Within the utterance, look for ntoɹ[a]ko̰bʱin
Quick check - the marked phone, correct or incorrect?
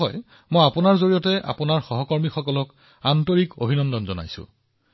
incorrect